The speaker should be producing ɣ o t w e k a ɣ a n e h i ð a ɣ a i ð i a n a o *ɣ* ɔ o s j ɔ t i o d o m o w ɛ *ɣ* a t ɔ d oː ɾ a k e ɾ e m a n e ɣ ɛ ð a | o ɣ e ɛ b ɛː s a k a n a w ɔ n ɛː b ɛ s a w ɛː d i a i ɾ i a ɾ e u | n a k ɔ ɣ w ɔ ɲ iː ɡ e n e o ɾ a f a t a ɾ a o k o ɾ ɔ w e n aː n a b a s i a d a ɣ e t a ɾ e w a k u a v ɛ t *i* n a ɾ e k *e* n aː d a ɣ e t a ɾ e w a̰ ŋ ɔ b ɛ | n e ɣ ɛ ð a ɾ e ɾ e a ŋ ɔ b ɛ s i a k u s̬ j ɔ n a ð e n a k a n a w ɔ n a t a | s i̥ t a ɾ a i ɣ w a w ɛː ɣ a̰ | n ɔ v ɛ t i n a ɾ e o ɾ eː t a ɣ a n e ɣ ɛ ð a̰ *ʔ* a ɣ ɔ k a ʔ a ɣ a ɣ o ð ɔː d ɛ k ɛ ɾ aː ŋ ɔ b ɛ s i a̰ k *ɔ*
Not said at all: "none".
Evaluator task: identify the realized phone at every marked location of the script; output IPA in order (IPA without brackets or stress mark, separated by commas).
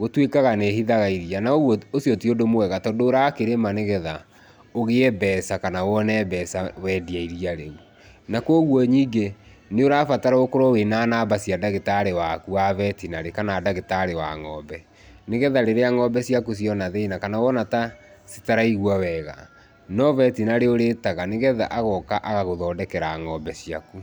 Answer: ɣ, ɣ, i, a, ʔ, u